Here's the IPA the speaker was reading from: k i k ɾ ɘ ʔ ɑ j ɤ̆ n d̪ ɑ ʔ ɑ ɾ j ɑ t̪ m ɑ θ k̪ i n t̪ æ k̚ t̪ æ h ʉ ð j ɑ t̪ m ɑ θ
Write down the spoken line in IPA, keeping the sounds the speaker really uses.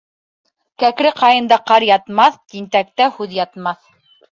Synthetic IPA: k æ k ɾ ɘ q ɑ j ɤ̆ n d̪ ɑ q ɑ ɾ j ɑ t̪ m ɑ θ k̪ i n t̪ æ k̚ t̪ æ h ʉ ð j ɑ t̪ m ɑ θ